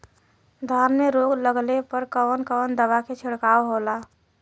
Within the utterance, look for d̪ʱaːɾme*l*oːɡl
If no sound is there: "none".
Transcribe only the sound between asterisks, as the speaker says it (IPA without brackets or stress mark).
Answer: ɾ